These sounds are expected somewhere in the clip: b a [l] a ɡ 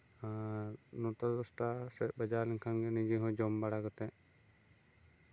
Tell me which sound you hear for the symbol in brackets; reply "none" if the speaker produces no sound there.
ɽ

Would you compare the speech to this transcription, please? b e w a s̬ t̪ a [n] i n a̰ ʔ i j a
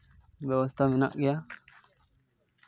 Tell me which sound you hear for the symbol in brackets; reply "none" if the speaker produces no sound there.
m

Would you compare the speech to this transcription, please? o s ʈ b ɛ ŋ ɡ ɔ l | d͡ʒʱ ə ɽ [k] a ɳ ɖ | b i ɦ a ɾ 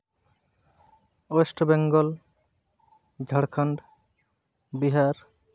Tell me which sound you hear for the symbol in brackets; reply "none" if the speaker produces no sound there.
kʰ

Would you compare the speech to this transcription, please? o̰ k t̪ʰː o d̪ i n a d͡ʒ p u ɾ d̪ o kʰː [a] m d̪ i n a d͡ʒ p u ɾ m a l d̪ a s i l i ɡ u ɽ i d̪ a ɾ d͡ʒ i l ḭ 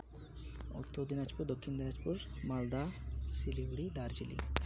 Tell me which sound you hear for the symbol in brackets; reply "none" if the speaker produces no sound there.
i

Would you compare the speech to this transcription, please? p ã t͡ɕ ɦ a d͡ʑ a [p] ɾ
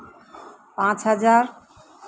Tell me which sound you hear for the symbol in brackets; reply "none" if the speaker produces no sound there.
none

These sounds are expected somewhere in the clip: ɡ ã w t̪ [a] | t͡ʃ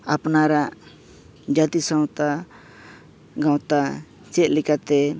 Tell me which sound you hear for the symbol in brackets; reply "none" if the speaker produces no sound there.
a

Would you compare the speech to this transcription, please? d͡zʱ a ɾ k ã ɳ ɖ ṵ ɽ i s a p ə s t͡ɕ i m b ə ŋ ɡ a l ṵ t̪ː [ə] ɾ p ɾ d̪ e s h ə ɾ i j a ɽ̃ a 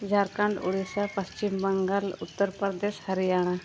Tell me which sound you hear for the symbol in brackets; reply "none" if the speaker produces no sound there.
ə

